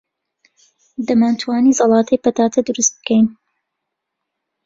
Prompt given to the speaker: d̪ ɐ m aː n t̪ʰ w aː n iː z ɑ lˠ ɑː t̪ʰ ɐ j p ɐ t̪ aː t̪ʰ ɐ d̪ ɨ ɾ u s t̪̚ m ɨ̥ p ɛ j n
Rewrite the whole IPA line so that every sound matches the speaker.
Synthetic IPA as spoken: d̪ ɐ m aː n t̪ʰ w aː n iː z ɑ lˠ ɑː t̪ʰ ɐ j p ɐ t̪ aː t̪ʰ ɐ d̪ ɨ ɾ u s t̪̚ b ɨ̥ k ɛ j n